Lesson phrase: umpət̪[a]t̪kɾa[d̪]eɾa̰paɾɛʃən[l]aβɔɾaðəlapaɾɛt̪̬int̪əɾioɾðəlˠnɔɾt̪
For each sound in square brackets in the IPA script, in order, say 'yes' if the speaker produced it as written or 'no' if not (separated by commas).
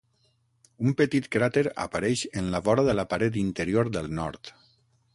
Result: no, no, yes